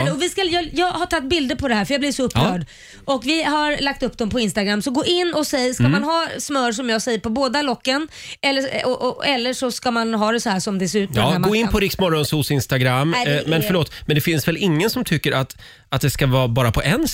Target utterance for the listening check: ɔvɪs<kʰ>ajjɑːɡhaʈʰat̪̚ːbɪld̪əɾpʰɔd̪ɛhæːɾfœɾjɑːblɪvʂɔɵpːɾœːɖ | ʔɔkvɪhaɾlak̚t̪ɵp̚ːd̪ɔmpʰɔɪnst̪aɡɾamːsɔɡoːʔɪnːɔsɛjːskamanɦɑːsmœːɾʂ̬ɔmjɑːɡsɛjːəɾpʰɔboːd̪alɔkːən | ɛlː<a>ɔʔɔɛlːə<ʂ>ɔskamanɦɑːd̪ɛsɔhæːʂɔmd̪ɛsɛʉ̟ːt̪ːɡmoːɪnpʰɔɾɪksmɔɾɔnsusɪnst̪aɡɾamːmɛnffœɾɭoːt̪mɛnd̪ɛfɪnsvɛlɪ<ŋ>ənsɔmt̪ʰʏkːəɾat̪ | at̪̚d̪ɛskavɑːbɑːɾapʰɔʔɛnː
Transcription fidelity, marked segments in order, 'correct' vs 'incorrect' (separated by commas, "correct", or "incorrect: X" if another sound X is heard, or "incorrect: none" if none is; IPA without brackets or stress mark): incorrect: k, incorrect: ə, correct, incorrect: ŋː